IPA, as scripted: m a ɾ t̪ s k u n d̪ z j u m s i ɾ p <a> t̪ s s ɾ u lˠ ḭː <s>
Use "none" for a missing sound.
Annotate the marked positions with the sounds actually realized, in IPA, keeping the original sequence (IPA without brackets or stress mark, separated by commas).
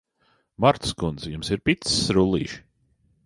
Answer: i, ʃ